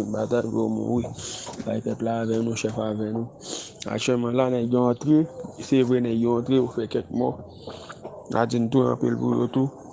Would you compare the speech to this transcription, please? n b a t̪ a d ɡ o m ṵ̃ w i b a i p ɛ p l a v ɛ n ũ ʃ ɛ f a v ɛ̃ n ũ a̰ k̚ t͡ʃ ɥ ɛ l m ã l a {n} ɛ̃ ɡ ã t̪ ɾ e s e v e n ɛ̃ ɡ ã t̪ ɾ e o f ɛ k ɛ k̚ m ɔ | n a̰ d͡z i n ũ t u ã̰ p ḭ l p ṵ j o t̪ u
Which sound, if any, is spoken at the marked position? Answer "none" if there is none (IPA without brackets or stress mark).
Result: n